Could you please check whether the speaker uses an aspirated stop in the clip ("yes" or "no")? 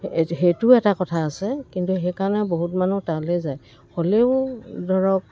yes